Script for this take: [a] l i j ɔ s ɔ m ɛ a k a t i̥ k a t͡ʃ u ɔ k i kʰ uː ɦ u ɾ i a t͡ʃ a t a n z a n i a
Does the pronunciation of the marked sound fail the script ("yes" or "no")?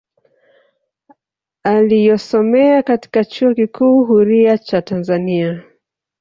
no